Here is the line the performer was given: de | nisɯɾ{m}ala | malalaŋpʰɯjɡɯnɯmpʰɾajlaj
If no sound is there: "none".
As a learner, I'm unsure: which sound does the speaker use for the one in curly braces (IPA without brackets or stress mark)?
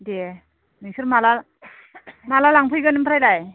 m